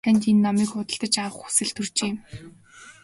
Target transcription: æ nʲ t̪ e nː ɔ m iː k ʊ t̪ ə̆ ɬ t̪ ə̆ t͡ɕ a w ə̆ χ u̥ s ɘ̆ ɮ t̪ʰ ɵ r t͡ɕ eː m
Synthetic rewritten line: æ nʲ t̪ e nː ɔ m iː k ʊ t̪ ə̆ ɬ t̪ ə̆ t͡ɕ a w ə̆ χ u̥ s ɘ̆ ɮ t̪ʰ ɵ r t͡ɕ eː m

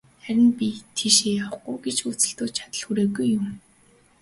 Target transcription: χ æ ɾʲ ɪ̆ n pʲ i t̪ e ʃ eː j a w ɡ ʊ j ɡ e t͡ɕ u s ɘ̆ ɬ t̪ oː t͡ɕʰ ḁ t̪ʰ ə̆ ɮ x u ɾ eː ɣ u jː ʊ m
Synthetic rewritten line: χ æ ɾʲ ɪ̆ n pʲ i t̪ʰ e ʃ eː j a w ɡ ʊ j ɡ e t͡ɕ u t͡s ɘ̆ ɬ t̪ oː t͡ɕʰ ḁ t̪ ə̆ ɮ x u ɾ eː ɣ u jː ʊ m

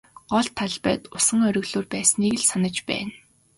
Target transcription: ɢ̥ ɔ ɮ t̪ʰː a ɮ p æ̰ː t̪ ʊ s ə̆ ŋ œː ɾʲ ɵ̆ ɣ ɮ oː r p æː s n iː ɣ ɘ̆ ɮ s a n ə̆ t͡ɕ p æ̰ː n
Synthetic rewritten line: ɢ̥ ɔ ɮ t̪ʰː a ɮ p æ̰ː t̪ ʊ s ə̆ ŋ œ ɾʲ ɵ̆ ɣ ɮ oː r p æː s n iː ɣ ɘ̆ ɮ s a n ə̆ t͡ɕ p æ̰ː n

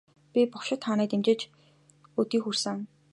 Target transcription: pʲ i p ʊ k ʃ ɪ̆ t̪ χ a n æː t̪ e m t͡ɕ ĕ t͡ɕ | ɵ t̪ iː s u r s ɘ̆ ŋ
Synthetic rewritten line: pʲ i p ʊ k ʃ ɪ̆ t̪ χ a n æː t̪ e m t͡ɕ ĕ t͡ɕ | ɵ t̪ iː x u r s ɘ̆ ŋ

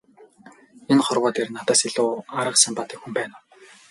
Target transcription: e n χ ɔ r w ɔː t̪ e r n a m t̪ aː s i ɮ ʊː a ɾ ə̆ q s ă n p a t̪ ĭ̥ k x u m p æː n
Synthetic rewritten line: e n χ ɔ r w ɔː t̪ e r n a t̪ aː s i ɮ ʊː a ɾ ə̆ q s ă m p a t̪ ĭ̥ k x u m p æː n

